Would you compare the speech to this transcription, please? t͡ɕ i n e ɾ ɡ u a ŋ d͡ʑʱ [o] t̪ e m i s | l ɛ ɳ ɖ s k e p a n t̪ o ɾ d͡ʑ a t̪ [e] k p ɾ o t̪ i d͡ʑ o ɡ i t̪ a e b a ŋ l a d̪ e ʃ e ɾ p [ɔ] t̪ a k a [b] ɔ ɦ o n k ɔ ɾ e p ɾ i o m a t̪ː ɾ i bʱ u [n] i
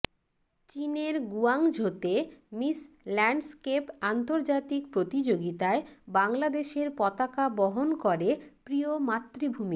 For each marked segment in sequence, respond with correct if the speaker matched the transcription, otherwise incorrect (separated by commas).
correct, incorrect, correct, correct, incorrect